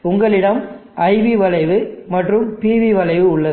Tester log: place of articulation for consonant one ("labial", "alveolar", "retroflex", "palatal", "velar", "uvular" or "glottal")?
velar